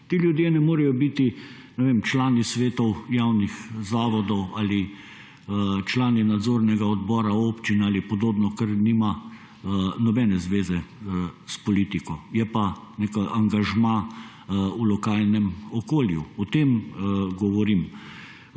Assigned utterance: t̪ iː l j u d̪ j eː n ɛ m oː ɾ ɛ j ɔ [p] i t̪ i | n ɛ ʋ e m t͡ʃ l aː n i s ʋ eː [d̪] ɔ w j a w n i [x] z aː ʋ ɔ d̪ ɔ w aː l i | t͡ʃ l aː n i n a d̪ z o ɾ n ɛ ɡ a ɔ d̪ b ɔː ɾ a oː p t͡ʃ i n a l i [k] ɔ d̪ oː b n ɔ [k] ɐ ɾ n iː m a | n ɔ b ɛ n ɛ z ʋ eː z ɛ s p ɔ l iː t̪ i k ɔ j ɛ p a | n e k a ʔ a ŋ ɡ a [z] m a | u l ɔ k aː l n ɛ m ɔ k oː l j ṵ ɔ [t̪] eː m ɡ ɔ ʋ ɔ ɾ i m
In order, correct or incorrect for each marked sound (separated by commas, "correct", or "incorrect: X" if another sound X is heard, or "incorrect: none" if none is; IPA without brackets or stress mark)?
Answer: incorrect: b, incorrect: t̪, correct, incorrect: p, correct, incorrect: ʒ, correct